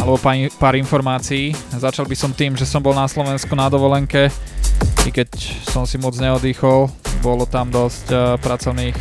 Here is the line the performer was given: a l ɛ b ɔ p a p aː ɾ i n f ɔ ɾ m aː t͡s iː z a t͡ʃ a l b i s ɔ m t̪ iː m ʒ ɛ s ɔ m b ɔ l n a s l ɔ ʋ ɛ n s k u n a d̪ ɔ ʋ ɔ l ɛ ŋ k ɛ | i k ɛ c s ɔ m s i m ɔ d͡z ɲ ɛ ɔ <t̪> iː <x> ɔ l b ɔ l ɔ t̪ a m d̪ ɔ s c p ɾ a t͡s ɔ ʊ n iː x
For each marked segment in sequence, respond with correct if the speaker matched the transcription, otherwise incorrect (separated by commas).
incorrect, correct